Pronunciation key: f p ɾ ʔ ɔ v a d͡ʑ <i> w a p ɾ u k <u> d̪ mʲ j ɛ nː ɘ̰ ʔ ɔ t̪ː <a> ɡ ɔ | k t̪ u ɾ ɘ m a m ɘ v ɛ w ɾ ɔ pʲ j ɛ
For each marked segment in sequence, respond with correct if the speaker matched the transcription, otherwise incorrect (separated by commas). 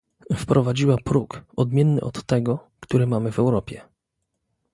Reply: correct, incorrect, incorrect